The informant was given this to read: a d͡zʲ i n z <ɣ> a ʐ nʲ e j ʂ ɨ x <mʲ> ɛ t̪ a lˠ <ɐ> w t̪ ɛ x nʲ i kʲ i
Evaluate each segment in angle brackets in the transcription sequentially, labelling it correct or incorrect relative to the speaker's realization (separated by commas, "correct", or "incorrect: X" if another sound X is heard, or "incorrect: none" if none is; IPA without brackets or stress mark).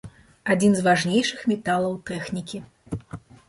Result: incorrect: v, correct, correct